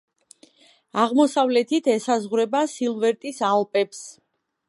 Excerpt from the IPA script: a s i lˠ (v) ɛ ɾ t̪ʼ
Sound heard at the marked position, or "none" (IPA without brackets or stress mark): v